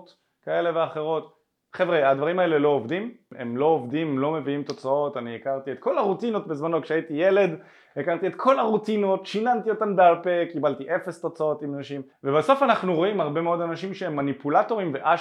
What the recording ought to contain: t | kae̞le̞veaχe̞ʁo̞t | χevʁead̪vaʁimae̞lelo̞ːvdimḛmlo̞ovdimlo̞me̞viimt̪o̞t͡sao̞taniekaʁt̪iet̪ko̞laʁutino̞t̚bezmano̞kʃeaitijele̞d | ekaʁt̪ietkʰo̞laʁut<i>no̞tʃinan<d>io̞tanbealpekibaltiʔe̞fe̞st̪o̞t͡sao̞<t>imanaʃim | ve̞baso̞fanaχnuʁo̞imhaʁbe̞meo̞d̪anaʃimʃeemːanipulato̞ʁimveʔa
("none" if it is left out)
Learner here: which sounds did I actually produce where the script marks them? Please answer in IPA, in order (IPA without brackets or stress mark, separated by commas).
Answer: i, t, t